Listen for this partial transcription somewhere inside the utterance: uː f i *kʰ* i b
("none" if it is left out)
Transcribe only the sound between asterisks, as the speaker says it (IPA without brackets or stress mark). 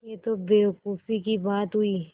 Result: k